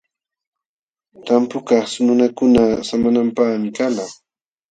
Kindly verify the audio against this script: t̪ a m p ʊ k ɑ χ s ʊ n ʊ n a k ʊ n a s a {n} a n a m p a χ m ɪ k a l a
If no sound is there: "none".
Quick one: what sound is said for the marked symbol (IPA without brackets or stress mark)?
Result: m